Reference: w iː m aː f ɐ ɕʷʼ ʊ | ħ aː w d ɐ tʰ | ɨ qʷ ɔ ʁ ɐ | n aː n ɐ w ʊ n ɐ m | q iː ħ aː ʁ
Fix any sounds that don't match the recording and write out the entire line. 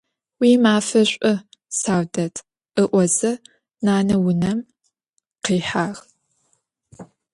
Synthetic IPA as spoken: w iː m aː f ɐ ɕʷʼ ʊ | s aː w d ɐ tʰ | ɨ ʔʷ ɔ z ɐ | n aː n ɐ w ʊ n ɐ m | q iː ħ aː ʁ